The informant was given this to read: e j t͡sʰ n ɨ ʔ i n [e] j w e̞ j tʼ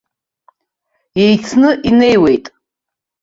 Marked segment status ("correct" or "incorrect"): correct